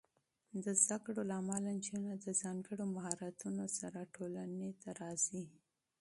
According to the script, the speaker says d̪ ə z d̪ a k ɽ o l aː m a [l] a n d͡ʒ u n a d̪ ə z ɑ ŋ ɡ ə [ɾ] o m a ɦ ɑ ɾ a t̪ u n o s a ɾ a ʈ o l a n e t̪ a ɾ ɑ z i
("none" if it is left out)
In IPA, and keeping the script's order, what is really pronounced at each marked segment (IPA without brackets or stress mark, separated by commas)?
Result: l, ɽ